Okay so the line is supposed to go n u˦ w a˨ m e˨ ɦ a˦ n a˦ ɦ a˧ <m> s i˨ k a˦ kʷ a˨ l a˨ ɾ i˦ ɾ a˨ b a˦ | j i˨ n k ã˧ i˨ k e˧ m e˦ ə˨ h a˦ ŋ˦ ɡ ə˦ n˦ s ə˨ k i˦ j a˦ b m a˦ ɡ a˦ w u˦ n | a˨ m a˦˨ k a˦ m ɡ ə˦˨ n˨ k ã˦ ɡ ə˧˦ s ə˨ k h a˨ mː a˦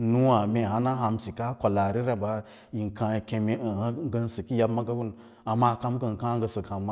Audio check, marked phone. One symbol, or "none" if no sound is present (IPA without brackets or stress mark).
m